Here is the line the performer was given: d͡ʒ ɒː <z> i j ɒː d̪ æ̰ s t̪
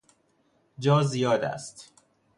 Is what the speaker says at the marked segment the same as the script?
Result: yes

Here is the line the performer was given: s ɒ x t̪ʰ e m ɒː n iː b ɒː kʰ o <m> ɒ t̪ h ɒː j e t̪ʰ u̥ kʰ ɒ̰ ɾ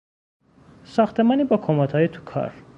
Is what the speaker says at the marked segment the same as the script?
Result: yes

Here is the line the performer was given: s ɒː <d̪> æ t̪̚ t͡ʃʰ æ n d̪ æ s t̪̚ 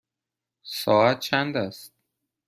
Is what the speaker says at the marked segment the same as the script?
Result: no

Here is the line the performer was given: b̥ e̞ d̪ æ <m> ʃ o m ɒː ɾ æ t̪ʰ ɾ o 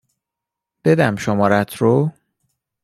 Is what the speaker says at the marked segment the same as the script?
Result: yes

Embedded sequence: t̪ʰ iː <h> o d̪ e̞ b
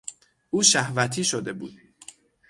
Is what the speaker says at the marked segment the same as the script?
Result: no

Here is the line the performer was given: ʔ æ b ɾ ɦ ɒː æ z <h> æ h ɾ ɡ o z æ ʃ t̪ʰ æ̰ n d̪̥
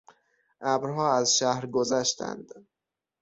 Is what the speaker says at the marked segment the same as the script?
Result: no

